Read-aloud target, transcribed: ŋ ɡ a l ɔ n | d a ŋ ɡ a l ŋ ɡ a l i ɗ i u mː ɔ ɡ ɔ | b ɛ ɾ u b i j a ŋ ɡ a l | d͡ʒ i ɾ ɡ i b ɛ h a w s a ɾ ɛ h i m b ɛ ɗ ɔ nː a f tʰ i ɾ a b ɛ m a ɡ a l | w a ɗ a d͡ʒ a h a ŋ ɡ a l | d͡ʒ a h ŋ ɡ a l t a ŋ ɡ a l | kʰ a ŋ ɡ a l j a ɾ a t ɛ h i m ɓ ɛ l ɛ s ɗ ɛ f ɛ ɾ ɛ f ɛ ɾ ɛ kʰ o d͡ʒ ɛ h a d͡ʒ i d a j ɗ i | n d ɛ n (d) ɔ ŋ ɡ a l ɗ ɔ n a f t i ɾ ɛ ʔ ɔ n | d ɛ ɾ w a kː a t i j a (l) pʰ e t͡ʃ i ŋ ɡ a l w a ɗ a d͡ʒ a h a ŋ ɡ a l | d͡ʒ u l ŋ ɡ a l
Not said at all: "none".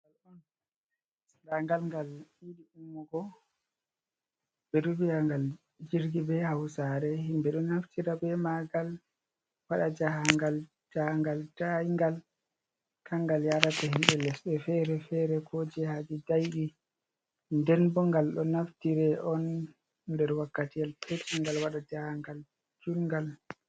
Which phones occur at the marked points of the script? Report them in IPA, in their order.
b, l

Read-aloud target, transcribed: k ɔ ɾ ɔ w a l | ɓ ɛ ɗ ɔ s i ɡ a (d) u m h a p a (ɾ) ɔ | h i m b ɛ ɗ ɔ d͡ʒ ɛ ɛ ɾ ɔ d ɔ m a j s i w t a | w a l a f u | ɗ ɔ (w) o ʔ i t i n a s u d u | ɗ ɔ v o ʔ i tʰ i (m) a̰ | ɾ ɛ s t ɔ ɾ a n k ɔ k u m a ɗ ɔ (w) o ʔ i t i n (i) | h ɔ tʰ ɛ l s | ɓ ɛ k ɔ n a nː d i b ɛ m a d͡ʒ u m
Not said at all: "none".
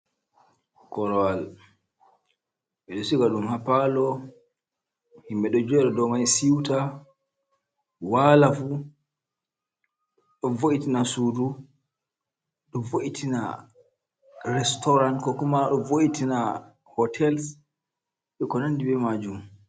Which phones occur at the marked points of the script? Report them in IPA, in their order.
ɗ, l, v, n, v, a

